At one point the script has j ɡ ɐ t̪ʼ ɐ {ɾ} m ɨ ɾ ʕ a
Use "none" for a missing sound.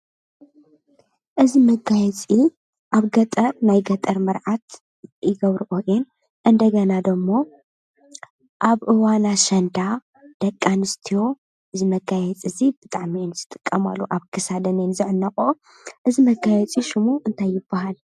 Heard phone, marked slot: ɾ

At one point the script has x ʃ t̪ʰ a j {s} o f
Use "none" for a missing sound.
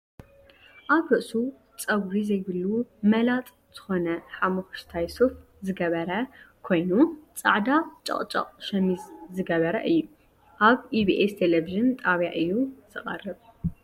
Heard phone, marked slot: s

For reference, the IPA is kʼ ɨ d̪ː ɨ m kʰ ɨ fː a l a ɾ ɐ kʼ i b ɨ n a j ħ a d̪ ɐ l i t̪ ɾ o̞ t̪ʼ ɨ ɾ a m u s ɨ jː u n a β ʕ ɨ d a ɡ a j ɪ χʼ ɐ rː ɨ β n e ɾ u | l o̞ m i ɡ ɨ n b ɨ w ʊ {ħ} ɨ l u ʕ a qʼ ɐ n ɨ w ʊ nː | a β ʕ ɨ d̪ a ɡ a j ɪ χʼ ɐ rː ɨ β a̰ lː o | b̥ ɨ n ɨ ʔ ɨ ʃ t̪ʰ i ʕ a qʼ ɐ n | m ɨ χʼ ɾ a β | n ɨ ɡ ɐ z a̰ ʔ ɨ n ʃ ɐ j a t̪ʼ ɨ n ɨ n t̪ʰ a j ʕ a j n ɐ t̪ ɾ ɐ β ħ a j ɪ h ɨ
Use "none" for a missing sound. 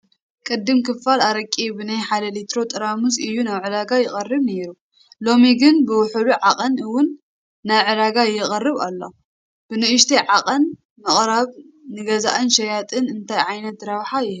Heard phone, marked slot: ħ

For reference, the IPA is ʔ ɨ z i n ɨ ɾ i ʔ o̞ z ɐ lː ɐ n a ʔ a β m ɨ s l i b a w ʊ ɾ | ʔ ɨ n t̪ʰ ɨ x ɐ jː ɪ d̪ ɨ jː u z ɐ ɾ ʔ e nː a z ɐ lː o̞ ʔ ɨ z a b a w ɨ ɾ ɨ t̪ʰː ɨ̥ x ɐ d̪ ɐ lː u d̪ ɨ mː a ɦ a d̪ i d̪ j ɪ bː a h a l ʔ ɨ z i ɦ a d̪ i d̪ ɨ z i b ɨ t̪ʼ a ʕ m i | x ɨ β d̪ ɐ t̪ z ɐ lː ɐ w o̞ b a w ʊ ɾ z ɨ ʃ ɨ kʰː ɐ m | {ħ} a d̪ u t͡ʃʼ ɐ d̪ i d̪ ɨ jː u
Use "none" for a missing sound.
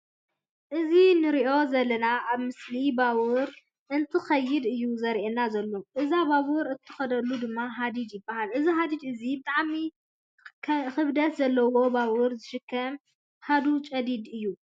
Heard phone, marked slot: h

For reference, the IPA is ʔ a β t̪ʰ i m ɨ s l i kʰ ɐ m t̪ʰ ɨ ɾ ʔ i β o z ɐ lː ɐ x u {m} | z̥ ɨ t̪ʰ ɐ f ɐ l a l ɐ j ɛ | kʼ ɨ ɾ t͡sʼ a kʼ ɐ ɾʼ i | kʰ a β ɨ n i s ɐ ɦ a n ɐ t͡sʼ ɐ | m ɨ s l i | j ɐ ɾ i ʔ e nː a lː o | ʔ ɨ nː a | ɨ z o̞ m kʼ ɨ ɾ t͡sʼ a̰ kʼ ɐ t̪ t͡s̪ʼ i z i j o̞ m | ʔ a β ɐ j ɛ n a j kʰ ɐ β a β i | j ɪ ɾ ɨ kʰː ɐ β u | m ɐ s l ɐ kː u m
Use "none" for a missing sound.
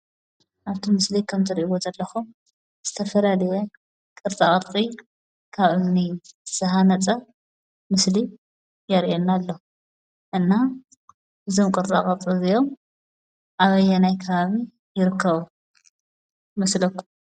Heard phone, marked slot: m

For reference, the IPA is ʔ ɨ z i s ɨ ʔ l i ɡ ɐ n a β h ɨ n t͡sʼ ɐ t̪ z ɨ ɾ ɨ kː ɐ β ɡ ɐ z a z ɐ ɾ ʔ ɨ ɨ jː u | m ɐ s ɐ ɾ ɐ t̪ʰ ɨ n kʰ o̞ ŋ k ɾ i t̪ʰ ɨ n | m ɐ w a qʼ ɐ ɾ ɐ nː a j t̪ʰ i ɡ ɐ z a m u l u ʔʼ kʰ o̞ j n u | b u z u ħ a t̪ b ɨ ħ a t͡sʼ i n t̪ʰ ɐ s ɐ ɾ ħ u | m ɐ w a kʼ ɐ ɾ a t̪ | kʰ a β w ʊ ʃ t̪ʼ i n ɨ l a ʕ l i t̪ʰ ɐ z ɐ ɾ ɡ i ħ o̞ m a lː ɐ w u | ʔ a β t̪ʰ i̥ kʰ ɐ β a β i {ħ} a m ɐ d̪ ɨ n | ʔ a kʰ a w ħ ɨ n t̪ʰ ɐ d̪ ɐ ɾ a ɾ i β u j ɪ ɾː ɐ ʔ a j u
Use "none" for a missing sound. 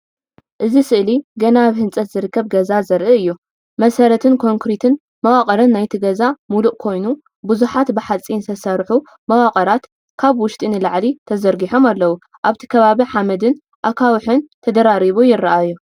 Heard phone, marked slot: ħ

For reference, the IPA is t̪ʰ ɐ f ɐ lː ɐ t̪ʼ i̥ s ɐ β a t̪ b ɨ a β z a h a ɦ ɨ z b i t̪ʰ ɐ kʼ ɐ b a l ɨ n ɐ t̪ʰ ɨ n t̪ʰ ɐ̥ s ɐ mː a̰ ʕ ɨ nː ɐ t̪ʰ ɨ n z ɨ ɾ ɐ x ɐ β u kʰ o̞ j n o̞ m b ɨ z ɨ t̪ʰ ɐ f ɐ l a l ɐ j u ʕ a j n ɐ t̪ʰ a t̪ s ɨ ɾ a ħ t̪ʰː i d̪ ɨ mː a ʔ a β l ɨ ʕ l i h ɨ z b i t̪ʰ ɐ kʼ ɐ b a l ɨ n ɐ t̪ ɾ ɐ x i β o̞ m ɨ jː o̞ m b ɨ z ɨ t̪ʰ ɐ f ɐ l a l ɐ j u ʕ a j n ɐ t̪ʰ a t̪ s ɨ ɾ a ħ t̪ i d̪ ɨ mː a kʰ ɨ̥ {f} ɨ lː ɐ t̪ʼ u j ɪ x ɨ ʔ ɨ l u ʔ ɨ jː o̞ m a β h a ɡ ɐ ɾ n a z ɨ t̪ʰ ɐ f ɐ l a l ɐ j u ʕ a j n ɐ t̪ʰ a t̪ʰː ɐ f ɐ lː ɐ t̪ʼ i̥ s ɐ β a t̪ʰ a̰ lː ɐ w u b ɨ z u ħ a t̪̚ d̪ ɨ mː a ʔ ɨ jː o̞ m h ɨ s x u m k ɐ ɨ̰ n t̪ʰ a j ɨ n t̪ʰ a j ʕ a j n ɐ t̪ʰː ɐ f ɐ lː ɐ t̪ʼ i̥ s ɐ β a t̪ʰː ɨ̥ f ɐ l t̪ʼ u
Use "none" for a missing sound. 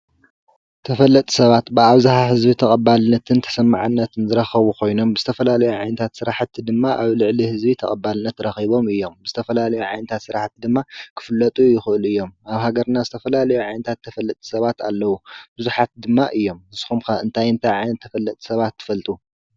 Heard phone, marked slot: f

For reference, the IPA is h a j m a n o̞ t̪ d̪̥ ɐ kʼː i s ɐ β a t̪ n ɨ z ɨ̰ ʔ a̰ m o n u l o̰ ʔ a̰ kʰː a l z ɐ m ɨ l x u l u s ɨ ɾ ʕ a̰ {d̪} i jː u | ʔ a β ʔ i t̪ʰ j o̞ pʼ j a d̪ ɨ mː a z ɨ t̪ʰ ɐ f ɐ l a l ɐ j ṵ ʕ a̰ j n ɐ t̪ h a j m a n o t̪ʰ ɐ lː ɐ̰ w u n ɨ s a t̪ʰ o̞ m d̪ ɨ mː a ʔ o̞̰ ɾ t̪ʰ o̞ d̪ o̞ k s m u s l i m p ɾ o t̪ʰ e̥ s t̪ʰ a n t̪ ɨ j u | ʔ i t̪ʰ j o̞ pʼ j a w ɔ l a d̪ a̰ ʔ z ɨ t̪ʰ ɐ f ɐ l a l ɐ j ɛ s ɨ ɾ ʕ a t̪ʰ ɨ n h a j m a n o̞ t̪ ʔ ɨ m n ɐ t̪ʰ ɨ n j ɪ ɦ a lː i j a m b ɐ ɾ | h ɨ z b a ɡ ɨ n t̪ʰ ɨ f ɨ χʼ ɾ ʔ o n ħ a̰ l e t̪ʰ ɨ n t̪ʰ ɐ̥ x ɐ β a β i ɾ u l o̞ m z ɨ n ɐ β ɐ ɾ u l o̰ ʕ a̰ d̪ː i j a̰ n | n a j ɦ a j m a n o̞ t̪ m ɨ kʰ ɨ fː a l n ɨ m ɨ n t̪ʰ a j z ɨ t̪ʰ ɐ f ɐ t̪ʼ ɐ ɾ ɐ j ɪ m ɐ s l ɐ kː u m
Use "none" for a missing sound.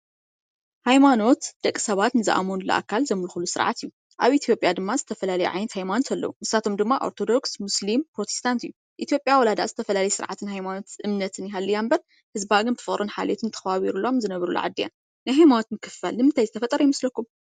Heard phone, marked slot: t̪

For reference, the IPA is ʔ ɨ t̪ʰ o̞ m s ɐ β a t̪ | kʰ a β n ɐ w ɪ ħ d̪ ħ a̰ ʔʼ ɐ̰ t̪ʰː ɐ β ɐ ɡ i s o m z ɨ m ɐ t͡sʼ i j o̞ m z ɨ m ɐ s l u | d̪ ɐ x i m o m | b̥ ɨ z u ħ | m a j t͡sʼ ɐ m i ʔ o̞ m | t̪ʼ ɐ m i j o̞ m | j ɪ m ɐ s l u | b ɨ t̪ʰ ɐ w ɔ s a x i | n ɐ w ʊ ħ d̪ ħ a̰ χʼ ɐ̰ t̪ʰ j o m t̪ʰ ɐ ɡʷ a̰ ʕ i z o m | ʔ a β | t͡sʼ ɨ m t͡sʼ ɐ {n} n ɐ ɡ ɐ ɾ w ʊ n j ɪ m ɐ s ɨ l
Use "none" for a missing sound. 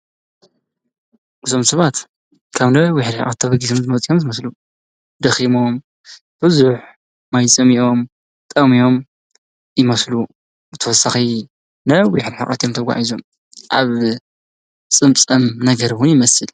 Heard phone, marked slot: m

